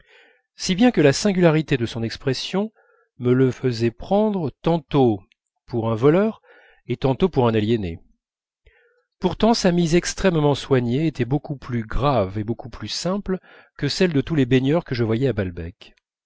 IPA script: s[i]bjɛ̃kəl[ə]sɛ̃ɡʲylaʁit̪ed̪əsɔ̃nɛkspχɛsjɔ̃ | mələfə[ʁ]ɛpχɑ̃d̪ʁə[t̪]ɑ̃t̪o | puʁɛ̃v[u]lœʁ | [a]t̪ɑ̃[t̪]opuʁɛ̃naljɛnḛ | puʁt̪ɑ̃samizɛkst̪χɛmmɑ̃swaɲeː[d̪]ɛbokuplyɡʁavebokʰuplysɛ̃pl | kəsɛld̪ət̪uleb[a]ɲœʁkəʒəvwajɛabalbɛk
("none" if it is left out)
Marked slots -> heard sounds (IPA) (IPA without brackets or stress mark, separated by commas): i, a, z, t̪, ɔ, e, t̪, t̪, e